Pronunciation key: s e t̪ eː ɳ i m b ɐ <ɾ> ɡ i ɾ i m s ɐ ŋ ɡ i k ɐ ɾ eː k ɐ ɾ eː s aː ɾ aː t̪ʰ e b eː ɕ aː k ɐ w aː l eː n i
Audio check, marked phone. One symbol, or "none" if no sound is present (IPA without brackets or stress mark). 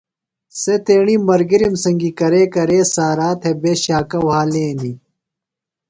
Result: ɾ